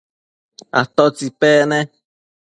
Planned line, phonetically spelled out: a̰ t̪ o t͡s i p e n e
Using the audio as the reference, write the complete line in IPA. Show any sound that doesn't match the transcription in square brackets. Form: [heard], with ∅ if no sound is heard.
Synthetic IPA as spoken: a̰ t̪ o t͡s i p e n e